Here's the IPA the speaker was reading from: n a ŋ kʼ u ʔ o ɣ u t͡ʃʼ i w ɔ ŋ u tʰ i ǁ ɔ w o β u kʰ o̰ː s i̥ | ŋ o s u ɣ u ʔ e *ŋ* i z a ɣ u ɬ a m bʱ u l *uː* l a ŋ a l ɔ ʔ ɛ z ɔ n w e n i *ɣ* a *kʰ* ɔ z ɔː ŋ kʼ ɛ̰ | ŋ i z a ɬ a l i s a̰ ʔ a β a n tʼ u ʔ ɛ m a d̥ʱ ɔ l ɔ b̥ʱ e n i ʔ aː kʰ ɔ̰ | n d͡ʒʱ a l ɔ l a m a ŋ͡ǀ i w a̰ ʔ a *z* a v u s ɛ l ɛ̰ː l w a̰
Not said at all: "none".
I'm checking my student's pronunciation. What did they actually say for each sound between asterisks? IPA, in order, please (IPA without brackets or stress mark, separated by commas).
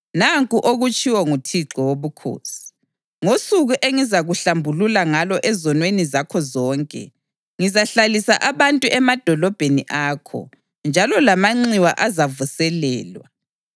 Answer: ŋ, u, z, kʰ, z